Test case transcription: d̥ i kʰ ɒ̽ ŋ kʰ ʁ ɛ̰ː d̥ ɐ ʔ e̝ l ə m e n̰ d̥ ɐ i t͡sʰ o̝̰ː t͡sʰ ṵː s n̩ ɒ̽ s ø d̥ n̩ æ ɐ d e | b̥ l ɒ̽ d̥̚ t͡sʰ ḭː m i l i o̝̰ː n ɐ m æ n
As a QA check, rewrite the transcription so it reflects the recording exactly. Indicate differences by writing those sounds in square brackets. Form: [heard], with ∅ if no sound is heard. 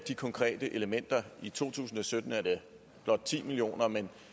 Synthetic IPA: d̥ i kʰ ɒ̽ ŋ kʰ ʁ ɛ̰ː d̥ [ə] ʔ e̝ l ə m e n̰ d̥ ɐ i t͡sʰ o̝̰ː t͡sʰ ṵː s n̩ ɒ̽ s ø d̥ n̩ æ ɐ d e | b̥ l ɒ̽ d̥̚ t͡sʰ ḭː m i l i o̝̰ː n ɐ m [e] n